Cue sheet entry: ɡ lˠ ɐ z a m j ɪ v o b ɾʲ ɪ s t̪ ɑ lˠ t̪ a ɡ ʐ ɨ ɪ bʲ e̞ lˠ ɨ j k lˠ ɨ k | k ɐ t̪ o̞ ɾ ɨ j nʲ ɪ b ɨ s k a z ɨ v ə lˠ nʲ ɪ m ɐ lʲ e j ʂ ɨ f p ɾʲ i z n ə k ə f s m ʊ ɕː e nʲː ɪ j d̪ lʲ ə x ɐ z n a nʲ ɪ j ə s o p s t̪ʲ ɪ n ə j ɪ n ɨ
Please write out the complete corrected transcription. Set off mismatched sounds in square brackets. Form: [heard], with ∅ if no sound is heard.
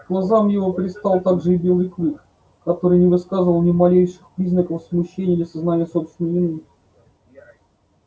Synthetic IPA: ɡ lˠ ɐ z a m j ɪ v o [p] ɾʲ ɪ s t̪ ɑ lˠ t̪ a ɡ ʐ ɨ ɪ bʲ e̞ lˠ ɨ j k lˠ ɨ k | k ɐ t̪ o̞ ɾ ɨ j nʲ ɪ [v] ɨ s k a z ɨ v ə lˠ nʲ ɪ m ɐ lʲ e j ʂ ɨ [x] p ɾʲ i z n ə k ə f s m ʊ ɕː e [nʲ] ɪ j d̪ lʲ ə [s] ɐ z n a nʲ ɪ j ə s o p s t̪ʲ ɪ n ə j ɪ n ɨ